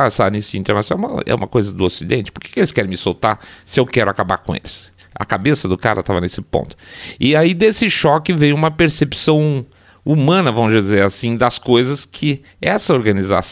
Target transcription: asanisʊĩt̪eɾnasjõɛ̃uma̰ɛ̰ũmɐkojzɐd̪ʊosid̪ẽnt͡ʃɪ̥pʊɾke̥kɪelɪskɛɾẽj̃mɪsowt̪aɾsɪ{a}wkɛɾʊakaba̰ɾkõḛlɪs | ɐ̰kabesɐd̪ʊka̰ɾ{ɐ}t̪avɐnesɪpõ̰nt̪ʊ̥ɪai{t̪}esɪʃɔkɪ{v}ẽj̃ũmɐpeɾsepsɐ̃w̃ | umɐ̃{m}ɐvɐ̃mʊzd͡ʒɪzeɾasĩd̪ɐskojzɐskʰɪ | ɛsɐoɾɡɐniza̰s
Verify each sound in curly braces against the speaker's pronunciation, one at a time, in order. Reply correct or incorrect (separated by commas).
incorrect, correct, incorrect, correct, incorrect